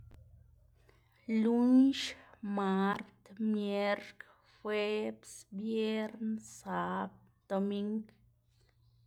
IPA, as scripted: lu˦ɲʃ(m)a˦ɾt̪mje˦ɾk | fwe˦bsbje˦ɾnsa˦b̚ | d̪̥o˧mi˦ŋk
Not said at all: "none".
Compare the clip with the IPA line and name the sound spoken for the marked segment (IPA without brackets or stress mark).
m